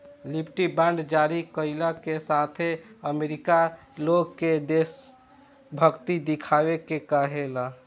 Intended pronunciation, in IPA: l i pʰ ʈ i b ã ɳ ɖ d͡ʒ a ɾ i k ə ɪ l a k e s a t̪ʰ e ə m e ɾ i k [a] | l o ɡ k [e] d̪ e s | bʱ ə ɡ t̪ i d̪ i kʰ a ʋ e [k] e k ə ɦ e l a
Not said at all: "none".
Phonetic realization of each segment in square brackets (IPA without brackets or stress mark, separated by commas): a, e, k